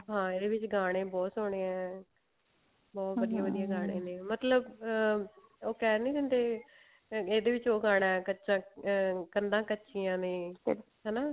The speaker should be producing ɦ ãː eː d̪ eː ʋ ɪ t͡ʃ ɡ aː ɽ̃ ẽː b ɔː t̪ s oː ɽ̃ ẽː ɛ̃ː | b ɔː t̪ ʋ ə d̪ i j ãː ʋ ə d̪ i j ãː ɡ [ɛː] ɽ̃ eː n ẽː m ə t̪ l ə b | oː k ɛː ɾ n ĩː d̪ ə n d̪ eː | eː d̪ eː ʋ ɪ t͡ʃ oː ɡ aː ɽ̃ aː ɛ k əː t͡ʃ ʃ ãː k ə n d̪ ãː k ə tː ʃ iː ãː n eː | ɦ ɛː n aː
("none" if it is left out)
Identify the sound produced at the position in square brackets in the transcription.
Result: aː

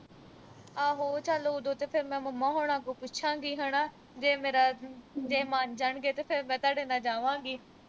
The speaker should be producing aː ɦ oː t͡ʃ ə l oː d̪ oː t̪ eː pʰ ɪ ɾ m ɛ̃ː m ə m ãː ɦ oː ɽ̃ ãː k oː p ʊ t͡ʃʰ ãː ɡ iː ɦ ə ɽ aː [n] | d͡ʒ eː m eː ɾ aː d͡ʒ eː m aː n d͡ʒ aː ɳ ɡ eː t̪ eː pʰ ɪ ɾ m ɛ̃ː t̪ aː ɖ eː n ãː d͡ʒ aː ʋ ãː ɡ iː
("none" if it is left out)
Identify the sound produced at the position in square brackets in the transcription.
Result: none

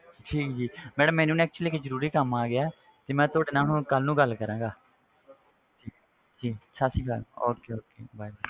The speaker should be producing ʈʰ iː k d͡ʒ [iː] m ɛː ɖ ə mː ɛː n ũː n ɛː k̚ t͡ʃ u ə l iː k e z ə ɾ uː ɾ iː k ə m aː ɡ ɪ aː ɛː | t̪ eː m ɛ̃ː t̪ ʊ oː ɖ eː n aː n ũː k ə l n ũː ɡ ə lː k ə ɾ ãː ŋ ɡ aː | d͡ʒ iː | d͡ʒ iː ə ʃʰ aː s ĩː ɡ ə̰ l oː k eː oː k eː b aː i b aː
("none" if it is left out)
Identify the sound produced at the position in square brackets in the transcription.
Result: iː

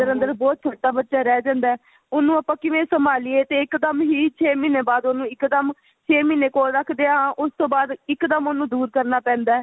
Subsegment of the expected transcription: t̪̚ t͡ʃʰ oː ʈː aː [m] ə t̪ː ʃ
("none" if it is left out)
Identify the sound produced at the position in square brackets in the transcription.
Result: b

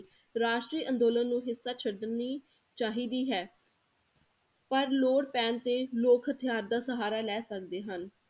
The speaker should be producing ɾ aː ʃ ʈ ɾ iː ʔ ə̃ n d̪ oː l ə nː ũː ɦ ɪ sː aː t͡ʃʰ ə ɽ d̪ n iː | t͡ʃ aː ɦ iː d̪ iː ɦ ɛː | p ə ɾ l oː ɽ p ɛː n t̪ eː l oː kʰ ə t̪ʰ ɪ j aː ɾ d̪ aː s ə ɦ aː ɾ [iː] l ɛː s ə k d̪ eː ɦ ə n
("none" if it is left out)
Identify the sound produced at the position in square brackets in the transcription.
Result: aː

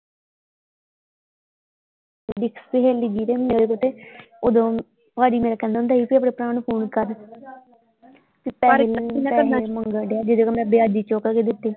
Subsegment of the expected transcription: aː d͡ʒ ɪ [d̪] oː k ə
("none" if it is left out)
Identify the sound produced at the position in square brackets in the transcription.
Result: d̪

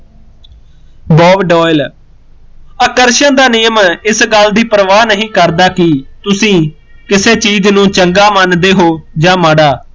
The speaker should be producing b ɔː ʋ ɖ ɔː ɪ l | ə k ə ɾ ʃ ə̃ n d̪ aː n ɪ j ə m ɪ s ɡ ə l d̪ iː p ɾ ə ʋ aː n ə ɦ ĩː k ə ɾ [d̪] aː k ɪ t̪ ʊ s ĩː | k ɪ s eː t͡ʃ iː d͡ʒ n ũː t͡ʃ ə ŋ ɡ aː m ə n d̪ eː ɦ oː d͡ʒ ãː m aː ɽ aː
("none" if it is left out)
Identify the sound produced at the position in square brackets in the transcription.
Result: d̪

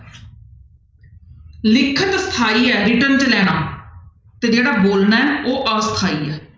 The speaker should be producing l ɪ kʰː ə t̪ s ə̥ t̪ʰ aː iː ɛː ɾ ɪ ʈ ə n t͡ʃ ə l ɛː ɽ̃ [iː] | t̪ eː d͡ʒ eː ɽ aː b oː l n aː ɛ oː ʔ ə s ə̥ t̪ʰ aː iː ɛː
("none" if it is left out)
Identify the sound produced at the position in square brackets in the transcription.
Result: aː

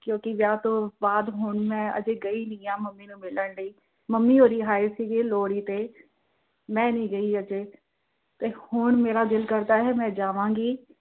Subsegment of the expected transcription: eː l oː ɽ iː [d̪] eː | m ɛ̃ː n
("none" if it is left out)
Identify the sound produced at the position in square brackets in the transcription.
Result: t̪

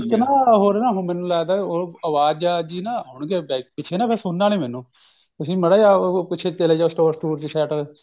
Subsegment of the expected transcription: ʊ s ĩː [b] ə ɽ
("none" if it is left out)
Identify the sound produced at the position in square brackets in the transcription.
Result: m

